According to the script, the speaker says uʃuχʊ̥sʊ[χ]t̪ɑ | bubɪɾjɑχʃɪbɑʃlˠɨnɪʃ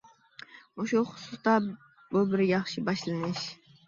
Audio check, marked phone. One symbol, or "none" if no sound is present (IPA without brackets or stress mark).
s